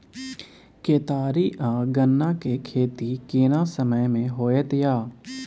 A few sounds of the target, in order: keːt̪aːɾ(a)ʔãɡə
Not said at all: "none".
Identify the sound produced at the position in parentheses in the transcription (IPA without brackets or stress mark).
i